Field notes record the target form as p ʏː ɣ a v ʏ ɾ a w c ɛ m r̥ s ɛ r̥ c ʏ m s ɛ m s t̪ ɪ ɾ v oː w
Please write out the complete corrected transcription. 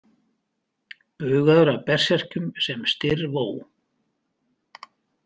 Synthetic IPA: p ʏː ɣ a ð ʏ ɾ a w p ɛ r̥ s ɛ r̥ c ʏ m s ɛ m s t̪ ɪ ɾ v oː w